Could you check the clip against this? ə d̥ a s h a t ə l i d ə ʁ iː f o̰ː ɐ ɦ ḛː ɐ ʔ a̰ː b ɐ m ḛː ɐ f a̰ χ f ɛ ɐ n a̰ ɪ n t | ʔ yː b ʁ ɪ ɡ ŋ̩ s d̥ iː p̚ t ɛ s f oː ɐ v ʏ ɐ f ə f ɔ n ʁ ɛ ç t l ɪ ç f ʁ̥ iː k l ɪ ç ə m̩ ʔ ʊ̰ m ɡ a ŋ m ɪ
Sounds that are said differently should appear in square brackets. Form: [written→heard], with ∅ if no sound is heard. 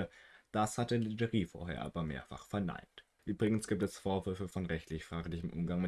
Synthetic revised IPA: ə d̥ a s h a t ə l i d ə ʁ iː f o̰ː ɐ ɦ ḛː ɐ ʔ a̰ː b ɐ m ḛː ɐ f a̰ χ f ɛ ɐ n a̰ ɪ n t | ʔ yː b ʁ ɪ ɡ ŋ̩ s [d̥→ɡ̥] iː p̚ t ɛ s f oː ɐ v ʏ ɐ f ə f ɔ n ʁ ɛ ç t l ɪ ç f ʁ̥ [iː→aː] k l ɪ ç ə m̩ ʔ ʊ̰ m ɡ a ŋ m ɪ